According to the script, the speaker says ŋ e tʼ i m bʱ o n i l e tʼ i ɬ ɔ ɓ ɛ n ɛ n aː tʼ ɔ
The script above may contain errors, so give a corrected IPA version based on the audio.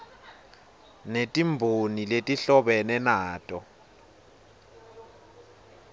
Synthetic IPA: n e tʼ i m bʱ o n i l e tʼ i ɬ ɔ ɓ ɛ n ɛ n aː tʼ ɔ